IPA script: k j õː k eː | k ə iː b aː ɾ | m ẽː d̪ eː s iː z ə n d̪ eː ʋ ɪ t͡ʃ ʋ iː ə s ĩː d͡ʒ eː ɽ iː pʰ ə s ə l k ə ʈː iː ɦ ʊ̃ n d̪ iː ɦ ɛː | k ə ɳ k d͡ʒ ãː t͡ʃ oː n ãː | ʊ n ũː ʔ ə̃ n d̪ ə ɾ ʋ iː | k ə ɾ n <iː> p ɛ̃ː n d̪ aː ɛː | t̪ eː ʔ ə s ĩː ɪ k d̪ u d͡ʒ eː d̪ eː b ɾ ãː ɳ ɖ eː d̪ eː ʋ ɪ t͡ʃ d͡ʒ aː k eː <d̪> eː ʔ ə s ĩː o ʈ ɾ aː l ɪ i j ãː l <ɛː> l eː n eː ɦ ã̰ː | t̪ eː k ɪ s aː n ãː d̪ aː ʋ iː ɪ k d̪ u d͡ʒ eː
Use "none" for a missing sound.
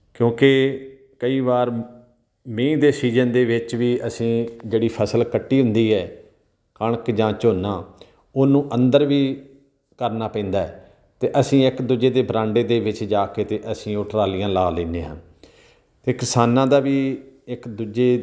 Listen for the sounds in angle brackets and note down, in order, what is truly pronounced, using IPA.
aː, t̪, aː

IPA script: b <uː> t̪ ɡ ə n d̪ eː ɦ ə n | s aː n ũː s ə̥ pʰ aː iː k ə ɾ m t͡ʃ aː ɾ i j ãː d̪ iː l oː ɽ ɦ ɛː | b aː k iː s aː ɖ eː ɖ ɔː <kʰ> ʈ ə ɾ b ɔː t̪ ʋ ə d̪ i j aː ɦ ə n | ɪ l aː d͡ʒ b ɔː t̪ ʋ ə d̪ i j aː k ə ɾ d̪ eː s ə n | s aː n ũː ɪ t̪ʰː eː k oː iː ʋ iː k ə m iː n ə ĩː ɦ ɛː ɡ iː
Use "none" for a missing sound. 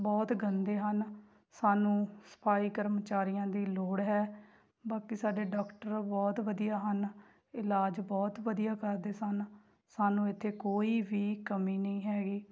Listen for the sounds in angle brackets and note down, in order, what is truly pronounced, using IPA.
ɔː, k

